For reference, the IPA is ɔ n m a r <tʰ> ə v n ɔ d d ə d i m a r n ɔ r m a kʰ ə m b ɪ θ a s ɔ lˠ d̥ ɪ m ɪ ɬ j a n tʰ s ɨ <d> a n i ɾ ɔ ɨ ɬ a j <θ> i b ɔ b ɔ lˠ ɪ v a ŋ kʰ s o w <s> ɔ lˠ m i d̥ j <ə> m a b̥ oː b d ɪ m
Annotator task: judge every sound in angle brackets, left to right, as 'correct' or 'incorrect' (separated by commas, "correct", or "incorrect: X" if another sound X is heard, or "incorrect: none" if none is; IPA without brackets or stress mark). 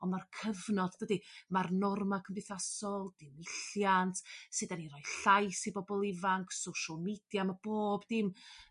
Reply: incorrect: kʰ, correct, incorrect: s, incorrect: ʃ, incorrect: a